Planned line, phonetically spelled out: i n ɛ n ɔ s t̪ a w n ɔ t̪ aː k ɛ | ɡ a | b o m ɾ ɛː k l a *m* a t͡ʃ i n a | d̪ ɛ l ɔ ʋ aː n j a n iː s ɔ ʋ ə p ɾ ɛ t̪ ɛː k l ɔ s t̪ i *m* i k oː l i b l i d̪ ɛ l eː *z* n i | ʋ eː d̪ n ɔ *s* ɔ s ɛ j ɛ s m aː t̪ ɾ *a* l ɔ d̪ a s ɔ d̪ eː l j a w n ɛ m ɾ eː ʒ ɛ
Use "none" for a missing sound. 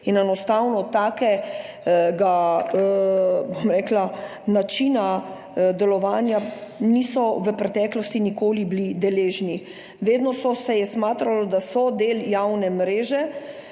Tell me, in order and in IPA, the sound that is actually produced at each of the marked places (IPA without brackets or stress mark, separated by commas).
n, n, ʒ, s, a